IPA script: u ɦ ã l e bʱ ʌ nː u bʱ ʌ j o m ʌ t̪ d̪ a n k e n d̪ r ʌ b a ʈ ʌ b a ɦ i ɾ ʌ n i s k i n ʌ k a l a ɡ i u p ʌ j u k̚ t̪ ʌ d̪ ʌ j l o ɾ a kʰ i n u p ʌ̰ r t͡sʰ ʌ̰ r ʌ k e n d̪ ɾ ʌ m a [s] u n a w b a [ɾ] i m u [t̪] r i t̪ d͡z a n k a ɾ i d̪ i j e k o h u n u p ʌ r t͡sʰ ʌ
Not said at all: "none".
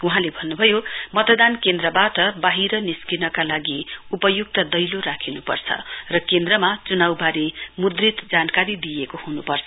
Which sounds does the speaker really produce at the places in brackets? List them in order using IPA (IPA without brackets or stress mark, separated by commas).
t͡s, ɾ, d̪